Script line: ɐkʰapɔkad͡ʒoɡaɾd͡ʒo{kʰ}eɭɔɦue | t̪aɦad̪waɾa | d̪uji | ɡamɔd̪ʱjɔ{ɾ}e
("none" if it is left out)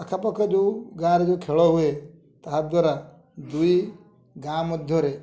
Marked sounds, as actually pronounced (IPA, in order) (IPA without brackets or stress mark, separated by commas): kʰ, ɾ